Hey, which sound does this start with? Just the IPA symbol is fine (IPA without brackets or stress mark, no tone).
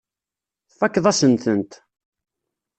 θ